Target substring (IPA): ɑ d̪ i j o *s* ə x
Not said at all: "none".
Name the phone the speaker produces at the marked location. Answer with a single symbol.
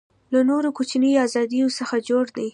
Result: s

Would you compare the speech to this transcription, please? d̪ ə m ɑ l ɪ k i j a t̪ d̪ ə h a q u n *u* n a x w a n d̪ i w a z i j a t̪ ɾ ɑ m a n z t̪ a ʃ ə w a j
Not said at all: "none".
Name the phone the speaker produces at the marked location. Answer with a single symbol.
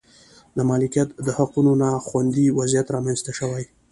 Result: o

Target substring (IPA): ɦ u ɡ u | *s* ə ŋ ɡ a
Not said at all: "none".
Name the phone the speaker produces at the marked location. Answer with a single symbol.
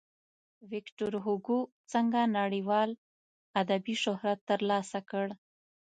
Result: t͡s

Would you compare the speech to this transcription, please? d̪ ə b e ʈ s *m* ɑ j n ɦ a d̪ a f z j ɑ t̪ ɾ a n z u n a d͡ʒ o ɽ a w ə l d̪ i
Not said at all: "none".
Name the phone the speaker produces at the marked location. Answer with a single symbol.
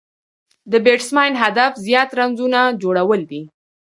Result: m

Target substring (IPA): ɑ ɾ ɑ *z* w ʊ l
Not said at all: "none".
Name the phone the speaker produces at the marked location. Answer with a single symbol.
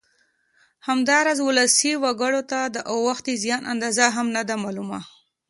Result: z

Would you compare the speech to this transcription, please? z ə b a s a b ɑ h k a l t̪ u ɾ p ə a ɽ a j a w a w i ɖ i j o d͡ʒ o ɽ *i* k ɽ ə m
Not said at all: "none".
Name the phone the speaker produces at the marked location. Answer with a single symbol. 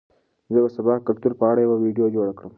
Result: a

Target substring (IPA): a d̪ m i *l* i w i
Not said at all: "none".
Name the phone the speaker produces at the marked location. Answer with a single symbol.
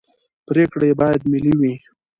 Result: l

